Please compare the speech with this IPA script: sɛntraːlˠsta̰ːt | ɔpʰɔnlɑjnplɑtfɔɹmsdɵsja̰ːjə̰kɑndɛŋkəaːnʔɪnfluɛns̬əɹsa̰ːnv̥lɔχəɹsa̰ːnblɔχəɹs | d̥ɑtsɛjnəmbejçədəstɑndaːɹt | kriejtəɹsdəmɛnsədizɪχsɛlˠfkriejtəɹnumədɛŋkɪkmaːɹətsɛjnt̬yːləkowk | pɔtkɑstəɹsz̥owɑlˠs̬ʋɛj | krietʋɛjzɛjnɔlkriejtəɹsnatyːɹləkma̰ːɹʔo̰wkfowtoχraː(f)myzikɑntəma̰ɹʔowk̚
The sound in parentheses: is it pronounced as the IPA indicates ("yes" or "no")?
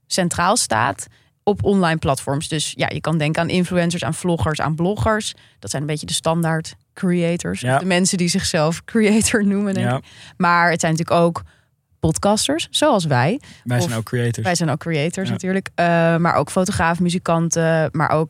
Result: yes